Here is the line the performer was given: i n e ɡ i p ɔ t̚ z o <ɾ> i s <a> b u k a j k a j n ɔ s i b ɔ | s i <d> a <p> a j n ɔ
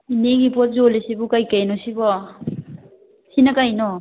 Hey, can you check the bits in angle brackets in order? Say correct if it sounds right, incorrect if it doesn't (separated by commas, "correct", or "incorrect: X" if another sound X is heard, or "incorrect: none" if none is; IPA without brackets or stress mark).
incorrect: l, incorrect: i, incorrect: n, incorrect: k